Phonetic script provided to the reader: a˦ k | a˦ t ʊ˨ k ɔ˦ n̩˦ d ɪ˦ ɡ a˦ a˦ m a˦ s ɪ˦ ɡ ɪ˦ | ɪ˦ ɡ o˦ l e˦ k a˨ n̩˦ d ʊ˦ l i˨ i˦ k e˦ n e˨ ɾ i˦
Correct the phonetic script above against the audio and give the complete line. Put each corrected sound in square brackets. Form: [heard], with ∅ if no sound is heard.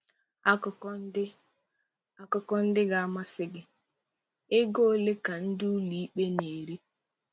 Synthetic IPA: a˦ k | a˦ [k] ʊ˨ k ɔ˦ n̩˦ d ɪ˦ ɡ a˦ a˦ m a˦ s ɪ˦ ɡ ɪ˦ | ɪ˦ ɡ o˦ l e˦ k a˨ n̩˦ d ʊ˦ l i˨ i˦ [k͡p] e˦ n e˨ ɾ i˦